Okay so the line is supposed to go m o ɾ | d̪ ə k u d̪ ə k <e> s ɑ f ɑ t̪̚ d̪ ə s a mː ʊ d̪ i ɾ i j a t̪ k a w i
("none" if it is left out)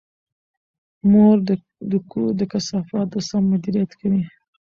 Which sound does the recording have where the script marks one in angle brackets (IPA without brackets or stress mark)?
a